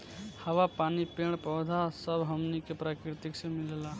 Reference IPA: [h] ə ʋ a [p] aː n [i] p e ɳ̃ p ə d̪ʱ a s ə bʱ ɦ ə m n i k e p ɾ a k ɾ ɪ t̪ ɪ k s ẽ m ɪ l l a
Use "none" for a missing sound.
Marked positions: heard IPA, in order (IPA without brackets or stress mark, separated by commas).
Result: h, p, i